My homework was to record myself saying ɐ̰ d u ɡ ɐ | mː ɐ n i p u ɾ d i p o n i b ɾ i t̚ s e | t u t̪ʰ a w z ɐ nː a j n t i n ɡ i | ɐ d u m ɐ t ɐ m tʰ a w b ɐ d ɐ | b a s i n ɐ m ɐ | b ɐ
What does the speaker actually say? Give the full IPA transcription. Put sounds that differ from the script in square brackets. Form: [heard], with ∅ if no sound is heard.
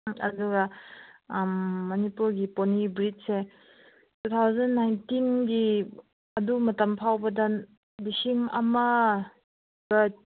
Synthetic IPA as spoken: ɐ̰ d u ɡ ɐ | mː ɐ n i p u ɾ [ɡ] i p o n i b ɾ i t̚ s e | t u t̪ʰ a w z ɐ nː a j n t i n ɡ i | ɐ d u m ɐ t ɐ m [pʰ] a w b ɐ d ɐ | b [i] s i [ŋ] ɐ m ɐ | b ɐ

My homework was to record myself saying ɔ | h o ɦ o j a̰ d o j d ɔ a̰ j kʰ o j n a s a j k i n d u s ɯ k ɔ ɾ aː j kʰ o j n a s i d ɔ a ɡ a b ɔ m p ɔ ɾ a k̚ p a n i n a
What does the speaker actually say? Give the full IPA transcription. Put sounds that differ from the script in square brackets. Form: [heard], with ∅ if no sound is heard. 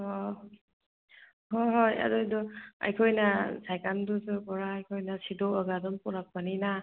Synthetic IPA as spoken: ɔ | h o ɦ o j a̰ d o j d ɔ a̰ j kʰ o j n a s a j k [a] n d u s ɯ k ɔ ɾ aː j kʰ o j n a s i d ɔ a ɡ a [d] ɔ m p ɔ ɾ a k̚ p a n i n a

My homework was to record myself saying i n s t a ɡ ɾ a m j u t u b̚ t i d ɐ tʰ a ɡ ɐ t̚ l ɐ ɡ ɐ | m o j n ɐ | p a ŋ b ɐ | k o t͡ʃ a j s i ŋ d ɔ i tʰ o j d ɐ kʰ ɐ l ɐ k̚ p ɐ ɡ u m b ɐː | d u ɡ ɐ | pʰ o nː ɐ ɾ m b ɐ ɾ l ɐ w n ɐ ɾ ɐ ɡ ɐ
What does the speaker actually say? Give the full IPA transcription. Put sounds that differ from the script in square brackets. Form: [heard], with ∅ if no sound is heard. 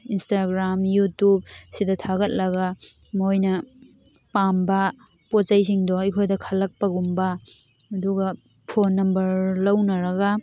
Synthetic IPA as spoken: i n s t a ɡ ɾ a m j u t u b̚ [s] i d ɐ tʰ a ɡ ɐ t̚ l ɐ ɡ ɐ | m o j n ɐ | p a [m] b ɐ | [p] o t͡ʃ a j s i ŋ d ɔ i [kʰ] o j d ɐ kʰ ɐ l ɐ k̚ p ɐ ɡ u m b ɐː | d u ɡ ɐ | pʰ o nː ɐ [∅] m b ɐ ɾ l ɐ w n ɐ ɾ ɐ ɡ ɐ

